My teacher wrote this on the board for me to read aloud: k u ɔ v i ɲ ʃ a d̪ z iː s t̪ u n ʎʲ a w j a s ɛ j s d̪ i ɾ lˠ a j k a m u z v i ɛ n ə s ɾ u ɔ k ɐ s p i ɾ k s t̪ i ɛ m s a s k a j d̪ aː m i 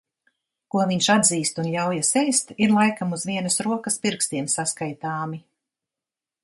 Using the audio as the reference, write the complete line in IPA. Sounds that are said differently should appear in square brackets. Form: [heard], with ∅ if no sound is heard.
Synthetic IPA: k u ɔ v i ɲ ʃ a d̪ z iː s t̪ u n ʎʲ a w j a s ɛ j s [t̪] i ɾ lˠ a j k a m u z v i ɛ n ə s ɾ u ɔ k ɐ s p i ɾ k s t̪ i ɛ m s a s k a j [t̪] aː m i